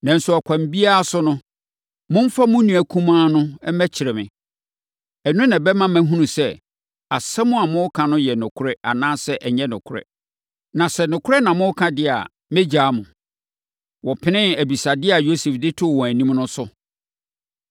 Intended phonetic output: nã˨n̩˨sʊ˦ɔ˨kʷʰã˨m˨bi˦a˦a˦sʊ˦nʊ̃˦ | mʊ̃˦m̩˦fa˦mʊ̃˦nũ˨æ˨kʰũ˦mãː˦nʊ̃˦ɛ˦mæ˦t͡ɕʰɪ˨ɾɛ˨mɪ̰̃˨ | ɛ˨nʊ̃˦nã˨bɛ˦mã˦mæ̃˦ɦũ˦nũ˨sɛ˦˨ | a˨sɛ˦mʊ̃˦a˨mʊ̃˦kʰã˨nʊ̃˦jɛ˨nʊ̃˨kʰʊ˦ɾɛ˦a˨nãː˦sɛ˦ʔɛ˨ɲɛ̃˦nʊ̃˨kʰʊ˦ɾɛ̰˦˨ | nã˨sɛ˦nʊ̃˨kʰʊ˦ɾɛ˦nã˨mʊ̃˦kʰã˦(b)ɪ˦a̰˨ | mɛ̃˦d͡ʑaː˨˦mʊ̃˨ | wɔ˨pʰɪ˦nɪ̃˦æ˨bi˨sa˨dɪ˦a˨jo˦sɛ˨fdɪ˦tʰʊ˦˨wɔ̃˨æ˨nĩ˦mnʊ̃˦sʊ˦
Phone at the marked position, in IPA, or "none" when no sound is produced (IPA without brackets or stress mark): d